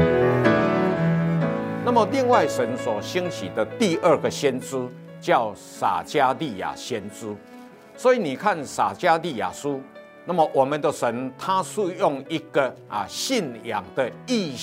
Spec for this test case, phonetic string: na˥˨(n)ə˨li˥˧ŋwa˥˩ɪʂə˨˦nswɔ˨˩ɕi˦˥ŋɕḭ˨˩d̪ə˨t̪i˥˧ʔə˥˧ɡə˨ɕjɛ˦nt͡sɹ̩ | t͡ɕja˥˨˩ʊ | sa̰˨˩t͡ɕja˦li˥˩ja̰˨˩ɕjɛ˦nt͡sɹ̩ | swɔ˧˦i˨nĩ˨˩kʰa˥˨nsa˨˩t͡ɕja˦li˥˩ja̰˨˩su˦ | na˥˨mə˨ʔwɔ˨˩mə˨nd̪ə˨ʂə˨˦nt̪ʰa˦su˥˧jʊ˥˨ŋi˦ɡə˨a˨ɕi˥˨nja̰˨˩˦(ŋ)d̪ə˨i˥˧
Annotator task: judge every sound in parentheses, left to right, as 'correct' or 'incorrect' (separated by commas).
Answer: incorrect, correct